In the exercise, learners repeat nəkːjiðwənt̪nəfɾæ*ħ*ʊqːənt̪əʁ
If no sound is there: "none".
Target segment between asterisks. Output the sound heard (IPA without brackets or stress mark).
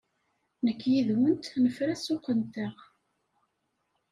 s